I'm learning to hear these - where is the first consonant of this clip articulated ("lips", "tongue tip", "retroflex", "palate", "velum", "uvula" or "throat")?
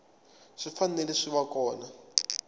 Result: retroflex